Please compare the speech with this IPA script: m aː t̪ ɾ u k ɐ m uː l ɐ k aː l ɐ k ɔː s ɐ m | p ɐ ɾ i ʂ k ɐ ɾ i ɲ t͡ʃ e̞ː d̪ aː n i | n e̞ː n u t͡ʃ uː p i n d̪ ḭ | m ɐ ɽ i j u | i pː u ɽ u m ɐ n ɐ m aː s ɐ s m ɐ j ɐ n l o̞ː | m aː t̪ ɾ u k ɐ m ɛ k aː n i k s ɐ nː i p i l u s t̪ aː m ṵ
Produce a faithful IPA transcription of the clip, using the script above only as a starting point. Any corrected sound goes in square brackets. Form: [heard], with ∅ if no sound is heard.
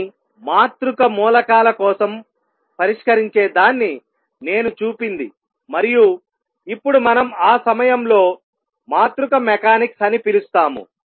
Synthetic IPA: m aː t̪ ɾ u k ɐ m uː l ɐ k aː l ɐ k ɔː s ɐ m | p ɐ ɾ i ʂ k ɐ ɾ i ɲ t͡ʃ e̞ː d̪ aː [nː] i | n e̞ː n u t͡ʃ uː p i n d̪ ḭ | m ɐ [ɾ] i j u | i pː u ɽ u m ɐ n ɐ m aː s ɐ [∅] m ɐ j ɐ [m] l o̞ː | m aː t̪ ɾ u k ɐ m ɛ k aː n i k s ɐ [n] i p i l u s t̪ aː m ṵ

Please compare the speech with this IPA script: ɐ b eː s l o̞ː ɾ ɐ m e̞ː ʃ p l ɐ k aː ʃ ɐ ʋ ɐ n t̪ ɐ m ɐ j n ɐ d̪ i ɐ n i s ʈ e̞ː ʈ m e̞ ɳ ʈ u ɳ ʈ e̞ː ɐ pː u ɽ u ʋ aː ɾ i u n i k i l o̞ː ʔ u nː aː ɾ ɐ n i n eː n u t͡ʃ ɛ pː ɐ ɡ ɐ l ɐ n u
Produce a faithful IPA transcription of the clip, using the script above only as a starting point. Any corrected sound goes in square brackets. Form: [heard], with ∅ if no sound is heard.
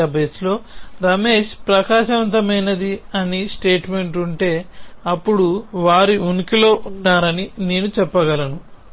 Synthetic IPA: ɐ b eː s l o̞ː ɾ ɐ m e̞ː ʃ p [ɾ] ɐ k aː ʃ ɐ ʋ ɐ n t̪ ɐ m ɐ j n ɐ d̪ i ɐ n i s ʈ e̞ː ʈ m e̞ ɳ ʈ u ɳ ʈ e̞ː ɐ pː u ɽ u ʋ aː ɾ i u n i k i l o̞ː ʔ u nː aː ɾ ɐ n i n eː n u t͡ʃ ɛ pː ɐ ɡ ɐ l ɐ n u

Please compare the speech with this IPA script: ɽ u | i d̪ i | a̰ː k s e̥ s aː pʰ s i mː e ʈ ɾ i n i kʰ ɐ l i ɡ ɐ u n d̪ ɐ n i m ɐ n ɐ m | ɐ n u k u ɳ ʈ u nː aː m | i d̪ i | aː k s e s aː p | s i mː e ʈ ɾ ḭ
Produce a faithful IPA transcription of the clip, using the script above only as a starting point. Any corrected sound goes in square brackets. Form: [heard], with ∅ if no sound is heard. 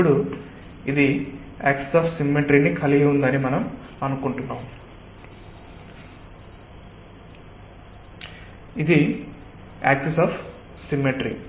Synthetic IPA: ɽ u | i d̪ i | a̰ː k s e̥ s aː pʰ s i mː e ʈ ɾ i n i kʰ ɐ l i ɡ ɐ u n d̪ ɐ n i m ɐ n ɐ m | ɐ n u k u ɳ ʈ u nː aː m | i d̪ i | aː k s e s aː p | s i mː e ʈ ɾ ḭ

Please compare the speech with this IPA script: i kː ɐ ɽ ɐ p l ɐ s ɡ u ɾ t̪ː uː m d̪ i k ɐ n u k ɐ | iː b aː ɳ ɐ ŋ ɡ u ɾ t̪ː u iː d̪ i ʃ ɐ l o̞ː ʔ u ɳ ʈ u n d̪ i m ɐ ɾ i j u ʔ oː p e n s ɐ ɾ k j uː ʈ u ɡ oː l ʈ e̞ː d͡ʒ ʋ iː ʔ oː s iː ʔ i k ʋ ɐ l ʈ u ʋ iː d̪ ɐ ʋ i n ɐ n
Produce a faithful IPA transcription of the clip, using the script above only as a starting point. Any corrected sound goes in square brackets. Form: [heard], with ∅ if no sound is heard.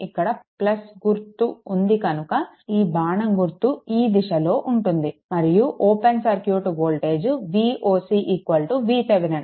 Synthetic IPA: i kː ɐ ɽ ɐ p l ɐ s ɡ u ɾ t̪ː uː [n] d̪ i k ɐ n u k ɐ | iː b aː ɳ ɐ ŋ ɡ u ɾ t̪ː u iː d̪ i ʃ ɐ l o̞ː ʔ u ɳ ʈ u n d̪ i m ɐ ɾ i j u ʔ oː p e n s ɐ ɾ k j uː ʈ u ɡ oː l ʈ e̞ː d͡ʒ ʋ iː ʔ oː s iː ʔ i k ʋ ɐ l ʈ u ʋ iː [t̪] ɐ ʋ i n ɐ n

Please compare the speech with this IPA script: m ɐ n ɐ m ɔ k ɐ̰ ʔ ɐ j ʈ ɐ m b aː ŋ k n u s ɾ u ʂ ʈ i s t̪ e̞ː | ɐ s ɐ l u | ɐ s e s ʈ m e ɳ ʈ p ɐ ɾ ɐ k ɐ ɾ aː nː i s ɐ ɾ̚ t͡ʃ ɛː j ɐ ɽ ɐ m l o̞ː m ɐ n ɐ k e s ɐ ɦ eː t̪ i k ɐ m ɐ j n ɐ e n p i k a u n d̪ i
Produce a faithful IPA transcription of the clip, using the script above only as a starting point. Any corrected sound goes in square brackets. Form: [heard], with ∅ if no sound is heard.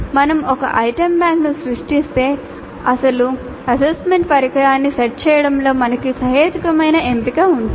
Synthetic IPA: m ɐ n ɐ m ɔ k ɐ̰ ʔ ɐ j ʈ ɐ m b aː ŋ k n u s ɾ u ʂ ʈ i s t̪ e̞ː | ɐ s ɐ l u | ɐ s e s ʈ m e ɳ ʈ p ɐ ɾ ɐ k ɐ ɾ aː nː i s ɐ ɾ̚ t͡ʃ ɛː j ɐ ɽ ɐ m l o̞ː m ɐ n ɐ k [i] s ɐ ɦ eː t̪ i k ɐ m ɐ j n ɐ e [m] p i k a u n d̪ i

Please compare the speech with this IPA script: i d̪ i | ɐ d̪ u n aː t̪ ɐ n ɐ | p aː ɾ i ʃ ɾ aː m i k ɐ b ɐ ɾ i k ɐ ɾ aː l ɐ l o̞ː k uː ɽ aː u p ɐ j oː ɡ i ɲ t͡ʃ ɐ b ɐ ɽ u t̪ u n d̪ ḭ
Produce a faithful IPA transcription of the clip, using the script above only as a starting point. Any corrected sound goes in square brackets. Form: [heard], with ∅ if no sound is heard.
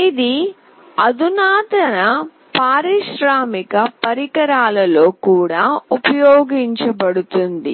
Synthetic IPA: i d̪ i | ɐ d̪ u n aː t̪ ɐ n ɐ | p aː ɾ i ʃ ɾ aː m i k ɐ [p] ɐ ɾ i k ɐ ɾ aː l ɐ l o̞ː k uː ɽ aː u p ɐ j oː ɡ i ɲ t͡ʃ ɐ b ɐ ɽ u t̪ u n d̪ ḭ

